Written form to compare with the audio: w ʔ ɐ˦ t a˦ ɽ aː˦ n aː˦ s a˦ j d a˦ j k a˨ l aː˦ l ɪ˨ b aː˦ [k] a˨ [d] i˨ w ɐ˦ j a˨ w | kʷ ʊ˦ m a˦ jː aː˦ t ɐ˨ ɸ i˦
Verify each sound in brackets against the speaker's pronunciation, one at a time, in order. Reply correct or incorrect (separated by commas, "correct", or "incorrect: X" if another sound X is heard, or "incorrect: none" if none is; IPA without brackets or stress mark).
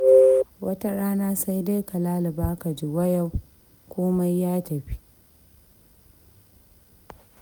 correct, incorrect: d͡ʒ